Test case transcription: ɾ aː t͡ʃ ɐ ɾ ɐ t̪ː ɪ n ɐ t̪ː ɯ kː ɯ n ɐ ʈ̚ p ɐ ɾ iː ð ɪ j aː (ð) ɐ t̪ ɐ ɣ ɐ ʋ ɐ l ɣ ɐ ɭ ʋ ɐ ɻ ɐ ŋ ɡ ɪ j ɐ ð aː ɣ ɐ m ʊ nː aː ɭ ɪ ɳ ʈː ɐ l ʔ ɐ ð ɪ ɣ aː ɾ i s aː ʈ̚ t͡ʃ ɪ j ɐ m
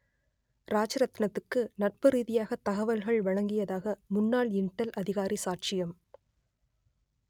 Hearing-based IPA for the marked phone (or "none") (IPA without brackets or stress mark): ɣ